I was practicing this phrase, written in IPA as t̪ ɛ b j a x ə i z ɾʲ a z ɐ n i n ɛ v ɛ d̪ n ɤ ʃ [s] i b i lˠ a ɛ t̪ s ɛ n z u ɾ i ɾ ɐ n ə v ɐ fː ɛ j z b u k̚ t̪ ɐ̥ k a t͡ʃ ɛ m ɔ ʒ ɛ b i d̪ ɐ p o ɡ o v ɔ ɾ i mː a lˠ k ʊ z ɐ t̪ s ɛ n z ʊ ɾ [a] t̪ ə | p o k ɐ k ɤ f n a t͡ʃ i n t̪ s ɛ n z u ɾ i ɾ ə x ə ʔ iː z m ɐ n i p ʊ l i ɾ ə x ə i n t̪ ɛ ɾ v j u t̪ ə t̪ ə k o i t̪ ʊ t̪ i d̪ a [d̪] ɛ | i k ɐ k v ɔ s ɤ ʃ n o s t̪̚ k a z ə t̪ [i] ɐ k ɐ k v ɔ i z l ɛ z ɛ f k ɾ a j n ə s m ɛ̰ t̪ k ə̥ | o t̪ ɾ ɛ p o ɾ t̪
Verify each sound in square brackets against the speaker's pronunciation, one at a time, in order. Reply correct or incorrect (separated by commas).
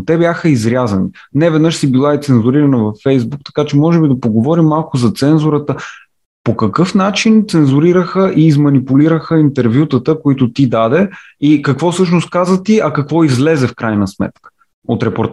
correct, incorrect, correct, correct